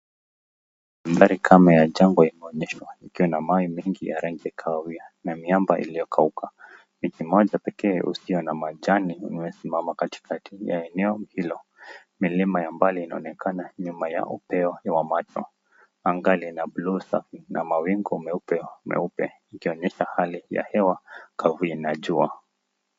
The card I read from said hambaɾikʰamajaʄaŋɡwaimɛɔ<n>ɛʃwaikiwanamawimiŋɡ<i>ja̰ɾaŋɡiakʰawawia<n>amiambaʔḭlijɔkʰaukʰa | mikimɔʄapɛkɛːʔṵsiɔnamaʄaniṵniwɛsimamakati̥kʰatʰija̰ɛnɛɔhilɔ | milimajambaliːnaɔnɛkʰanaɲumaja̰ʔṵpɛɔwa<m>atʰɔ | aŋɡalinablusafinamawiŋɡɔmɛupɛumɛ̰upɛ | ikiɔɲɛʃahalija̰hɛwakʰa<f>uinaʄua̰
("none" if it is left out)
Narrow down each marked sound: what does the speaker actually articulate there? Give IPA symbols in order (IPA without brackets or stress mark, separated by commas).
ɲ, i, n, m, v